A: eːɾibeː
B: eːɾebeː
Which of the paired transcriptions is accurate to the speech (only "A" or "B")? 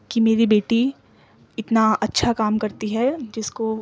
A